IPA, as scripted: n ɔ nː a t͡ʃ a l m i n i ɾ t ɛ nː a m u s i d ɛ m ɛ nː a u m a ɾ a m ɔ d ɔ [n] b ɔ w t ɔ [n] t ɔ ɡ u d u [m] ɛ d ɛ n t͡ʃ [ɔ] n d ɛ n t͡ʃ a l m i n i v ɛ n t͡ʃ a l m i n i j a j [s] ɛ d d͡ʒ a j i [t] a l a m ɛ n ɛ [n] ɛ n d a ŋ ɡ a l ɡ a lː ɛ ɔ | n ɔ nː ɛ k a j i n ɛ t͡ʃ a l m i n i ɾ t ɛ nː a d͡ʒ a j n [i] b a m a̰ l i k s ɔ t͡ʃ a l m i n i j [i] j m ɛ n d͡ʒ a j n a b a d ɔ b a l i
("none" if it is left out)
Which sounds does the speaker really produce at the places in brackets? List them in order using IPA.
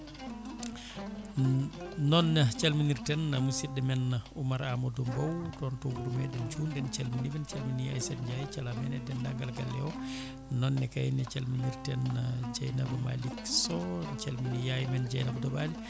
m, n, m, u, s, t͡ʃ, d, a, a

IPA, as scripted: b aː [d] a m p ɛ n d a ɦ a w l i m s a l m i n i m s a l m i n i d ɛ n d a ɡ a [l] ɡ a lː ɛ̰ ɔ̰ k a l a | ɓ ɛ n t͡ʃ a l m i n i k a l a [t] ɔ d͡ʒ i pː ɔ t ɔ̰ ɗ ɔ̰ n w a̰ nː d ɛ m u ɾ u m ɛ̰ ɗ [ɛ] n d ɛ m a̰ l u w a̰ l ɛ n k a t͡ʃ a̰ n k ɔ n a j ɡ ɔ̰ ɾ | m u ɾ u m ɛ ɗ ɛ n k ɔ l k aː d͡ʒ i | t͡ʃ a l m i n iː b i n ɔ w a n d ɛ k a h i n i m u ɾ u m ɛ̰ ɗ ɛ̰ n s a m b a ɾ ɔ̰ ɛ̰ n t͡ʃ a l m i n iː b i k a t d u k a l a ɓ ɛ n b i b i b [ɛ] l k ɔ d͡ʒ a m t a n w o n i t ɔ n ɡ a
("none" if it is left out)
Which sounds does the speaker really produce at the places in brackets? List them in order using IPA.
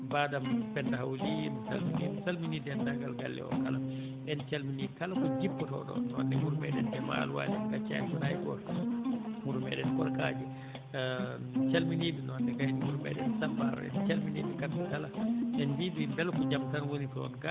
d, l, k, ɛ, ɛ

